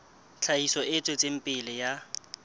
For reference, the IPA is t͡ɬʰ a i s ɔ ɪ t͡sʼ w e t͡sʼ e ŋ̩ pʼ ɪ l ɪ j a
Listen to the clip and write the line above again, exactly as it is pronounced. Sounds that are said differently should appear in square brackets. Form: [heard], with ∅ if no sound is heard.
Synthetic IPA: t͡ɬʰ a i s ɔ ɪ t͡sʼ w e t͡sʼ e [m̩] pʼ ɪ l ɪ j a